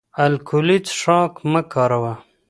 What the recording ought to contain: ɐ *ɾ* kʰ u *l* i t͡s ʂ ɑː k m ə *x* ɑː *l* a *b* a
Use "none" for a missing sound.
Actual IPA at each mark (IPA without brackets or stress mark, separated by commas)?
l, l, k, ɾ, w